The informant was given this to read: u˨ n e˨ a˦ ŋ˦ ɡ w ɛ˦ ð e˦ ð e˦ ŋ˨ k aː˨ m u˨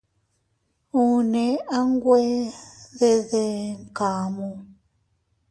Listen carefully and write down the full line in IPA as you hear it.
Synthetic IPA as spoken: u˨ n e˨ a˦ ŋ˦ ɡ w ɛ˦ ð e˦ ð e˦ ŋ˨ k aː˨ m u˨